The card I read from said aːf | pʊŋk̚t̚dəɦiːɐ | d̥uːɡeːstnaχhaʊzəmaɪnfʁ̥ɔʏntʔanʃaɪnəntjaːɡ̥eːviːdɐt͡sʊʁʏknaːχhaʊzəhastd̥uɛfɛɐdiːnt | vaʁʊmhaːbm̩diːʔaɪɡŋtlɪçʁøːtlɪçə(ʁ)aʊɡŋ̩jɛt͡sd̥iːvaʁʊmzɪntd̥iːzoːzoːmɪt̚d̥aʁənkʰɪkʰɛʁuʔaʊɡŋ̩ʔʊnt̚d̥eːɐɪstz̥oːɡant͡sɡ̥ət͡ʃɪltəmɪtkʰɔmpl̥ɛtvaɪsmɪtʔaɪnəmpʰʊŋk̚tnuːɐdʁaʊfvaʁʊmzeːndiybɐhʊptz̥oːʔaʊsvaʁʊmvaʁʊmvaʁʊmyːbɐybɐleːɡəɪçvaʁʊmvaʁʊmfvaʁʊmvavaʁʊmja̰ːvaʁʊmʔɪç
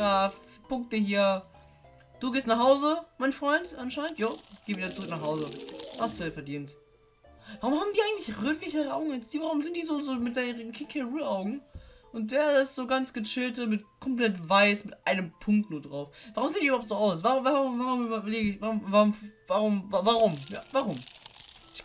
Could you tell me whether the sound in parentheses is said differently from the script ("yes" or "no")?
no